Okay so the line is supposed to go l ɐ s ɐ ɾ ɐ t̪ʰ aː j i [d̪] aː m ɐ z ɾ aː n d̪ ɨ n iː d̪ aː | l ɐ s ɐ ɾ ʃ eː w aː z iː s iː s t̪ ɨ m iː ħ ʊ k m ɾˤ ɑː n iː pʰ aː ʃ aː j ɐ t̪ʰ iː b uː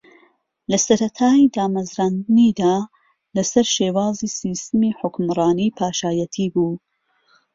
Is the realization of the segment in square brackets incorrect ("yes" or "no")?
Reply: no